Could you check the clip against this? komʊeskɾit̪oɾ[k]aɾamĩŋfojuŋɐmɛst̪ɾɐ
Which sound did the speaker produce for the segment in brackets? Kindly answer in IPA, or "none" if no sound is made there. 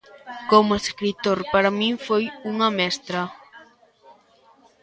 p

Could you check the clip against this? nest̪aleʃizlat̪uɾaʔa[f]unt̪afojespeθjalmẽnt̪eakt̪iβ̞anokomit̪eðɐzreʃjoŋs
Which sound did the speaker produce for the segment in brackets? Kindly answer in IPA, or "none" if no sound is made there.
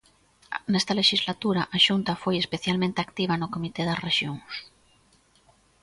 ʃ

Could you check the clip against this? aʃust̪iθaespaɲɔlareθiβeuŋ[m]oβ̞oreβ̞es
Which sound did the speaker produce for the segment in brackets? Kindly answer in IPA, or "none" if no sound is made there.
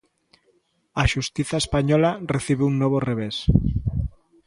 n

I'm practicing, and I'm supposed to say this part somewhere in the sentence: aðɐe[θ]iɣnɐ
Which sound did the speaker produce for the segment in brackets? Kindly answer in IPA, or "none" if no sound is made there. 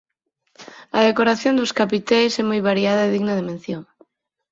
ð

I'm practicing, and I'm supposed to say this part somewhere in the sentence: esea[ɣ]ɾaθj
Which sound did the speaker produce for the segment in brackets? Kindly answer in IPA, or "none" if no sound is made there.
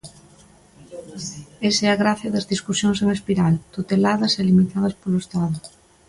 ɣ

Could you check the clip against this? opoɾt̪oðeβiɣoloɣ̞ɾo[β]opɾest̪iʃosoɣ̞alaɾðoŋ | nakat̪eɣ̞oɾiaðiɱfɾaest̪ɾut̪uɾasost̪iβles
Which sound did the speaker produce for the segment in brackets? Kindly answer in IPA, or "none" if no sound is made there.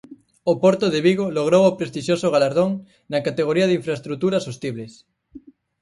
w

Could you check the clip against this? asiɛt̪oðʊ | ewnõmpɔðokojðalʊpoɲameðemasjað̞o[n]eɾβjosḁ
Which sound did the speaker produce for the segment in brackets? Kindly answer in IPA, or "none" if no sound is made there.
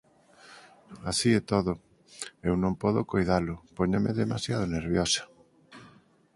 n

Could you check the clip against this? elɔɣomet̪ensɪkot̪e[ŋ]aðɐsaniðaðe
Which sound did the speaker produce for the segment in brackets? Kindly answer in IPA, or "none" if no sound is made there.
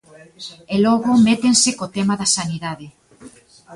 m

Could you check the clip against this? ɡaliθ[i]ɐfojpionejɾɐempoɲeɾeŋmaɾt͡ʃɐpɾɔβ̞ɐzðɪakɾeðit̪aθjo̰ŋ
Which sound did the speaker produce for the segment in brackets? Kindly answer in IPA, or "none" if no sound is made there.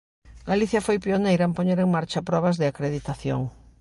j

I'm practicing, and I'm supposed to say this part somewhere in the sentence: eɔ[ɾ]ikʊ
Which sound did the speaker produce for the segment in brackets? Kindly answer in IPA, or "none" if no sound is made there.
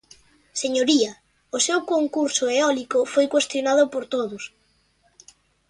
l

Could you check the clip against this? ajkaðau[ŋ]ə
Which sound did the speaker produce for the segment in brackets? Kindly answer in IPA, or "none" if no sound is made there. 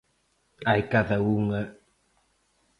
ŋ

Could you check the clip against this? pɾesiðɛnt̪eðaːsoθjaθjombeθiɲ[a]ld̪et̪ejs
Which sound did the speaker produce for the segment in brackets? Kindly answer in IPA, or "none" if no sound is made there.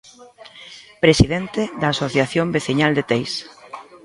a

